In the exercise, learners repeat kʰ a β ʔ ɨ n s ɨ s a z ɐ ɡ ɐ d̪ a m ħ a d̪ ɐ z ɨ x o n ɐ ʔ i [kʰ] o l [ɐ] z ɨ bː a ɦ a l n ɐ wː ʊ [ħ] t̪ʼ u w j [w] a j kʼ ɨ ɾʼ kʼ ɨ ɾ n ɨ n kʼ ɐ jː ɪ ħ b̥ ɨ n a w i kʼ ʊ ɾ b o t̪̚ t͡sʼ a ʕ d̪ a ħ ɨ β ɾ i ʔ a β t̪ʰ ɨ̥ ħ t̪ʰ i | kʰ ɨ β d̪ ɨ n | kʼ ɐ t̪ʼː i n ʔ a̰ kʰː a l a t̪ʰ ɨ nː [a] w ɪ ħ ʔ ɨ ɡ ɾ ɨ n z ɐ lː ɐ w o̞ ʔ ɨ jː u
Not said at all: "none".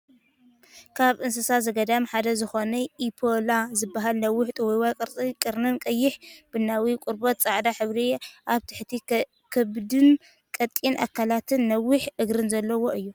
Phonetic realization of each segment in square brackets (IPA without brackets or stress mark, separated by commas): pʰ, a, ħ, w, ɐ